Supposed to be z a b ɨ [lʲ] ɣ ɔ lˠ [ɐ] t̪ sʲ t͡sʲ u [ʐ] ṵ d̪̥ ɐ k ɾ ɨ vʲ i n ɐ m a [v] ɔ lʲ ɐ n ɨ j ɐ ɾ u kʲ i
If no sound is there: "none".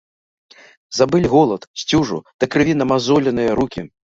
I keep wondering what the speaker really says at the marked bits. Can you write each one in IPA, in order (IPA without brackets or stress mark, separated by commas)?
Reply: lʲ, ɐ, ʐ, z